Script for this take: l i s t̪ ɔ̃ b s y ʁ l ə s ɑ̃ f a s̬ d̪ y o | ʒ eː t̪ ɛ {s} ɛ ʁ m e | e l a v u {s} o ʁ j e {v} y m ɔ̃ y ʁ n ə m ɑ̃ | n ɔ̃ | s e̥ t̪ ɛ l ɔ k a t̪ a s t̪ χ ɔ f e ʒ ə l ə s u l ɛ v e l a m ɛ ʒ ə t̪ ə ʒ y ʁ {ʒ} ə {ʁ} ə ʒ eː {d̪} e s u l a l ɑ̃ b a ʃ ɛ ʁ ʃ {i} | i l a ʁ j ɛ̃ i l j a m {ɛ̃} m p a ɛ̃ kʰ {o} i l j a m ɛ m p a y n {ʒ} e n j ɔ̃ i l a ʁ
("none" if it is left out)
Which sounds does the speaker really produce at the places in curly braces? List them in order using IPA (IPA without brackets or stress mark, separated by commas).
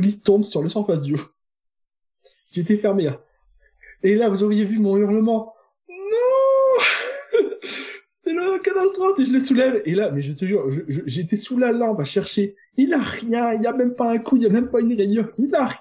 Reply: f, z, v, ʒ, ʒ, t̪, e, ɛ, u, ʁ